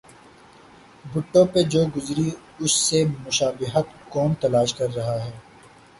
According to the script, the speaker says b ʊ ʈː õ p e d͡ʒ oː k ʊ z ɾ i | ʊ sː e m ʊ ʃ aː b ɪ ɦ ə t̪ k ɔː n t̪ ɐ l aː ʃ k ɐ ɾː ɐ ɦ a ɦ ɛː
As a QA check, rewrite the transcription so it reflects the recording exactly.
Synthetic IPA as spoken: b ʊ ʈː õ p e d͡ʒ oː ɡ ʊ z ɾ i | ʊ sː e m ʊ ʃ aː b ɪ ɦ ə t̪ k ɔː n t̪ ɐ l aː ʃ k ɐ ɾː ɐ ɦ a ɦ ɛː